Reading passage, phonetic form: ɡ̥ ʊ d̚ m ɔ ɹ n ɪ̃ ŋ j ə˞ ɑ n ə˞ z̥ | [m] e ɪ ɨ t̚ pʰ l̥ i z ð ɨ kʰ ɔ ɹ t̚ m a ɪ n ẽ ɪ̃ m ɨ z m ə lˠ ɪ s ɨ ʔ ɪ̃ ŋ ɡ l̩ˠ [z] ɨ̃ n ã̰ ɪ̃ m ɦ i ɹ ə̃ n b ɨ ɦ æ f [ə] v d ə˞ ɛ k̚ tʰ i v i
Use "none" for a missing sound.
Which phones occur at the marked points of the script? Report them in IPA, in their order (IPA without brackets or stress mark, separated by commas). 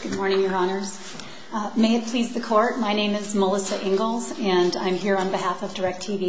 m, z, ʌ